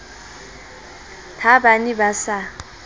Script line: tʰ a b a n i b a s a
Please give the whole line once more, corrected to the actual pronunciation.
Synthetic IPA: tʰ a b a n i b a s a